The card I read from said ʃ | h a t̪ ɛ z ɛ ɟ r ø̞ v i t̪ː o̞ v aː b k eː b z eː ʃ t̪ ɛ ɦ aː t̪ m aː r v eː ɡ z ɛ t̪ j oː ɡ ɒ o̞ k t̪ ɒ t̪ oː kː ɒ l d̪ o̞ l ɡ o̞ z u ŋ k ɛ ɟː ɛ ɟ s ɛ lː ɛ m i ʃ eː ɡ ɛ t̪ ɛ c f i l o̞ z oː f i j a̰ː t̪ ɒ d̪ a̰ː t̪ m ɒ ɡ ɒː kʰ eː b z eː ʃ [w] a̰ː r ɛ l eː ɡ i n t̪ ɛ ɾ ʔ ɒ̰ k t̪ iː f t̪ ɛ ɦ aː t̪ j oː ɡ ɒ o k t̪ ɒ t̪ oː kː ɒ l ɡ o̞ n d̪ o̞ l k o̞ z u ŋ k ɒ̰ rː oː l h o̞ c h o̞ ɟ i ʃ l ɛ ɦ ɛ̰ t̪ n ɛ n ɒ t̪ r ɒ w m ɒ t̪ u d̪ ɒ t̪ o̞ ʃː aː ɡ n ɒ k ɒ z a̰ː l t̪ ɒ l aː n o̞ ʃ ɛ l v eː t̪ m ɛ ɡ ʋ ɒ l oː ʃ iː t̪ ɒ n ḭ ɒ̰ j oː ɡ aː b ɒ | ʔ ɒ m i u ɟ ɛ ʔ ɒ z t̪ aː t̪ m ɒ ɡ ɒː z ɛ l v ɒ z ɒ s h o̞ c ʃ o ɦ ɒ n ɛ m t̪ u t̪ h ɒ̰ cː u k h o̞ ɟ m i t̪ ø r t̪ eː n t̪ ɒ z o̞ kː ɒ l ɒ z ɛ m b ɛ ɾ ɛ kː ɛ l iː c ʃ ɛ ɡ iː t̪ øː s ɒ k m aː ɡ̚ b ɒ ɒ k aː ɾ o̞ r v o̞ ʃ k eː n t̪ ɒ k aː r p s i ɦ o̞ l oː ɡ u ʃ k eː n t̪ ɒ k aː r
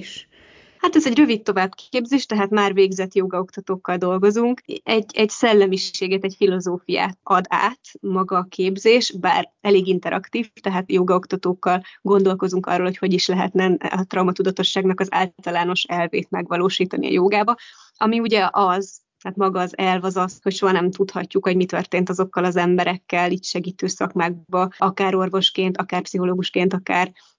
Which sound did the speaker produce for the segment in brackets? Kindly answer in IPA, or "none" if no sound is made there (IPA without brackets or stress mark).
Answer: b